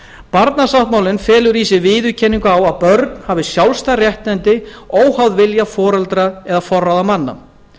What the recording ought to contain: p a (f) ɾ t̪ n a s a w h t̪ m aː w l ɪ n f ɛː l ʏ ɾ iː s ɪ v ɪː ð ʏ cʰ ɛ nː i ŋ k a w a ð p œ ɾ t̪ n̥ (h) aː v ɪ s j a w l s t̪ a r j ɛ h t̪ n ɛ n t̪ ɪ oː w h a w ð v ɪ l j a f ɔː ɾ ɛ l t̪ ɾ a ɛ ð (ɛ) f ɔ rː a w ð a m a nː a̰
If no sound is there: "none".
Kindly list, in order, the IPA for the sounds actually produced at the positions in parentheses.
none, h, a

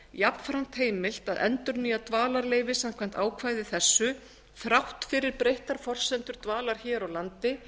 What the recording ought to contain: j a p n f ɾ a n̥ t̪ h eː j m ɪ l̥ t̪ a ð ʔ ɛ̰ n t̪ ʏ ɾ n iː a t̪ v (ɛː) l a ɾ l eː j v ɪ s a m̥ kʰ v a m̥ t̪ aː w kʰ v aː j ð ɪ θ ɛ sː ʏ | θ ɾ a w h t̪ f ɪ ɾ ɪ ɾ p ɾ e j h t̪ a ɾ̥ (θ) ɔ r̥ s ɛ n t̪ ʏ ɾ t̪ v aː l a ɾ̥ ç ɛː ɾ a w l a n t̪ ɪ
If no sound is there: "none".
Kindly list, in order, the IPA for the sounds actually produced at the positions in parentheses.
aː, f

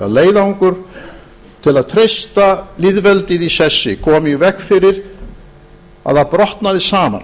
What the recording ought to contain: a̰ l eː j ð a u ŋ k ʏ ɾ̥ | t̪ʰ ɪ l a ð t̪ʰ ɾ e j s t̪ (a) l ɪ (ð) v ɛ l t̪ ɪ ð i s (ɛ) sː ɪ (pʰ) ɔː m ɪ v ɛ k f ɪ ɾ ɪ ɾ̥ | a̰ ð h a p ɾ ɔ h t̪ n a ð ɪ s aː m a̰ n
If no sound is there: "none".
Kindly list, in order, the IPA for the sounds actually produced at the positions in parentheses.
a, ð, ɛ, kʰ

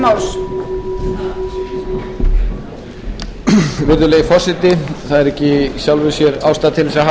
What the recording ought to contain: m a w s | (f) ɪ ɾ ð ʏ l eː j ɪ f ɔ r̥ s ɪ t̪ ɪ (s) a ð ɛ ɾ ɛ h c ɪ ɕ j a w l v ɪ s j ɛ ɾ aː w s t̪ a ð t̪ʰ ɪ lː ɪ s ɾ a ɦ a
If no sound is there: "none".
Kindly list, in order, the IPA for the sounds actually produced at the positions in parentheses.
v, θ

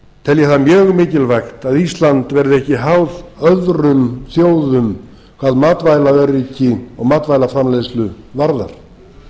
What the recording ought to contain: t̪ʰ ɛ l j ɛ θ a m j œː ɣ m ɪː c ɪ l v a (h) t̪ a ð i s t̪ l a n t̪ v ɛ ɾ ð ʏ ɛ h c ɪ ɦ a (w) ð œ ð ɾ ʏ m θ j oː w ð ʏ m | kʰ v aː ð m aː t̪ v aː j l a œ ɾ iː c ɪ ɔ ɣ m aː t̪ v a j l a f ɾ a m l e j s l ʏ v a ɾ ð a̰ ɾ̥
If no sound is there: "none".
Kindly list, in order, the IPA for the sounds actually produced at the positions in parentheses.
x, w

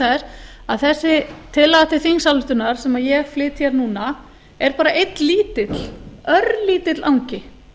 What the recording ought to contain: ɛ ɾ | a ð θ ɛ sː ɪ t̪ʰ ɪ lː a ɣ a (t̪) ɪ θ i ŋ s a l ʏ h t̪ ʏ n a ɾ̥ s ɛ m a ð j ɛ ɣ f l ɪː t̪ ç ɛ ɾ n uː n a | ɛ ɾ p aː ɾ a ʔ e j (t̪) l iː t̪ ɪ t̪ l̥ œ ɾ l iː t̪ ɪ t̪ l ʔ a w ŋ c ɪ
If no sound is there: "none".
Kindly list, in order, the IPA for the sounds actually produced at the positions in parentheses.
t̪, t̪

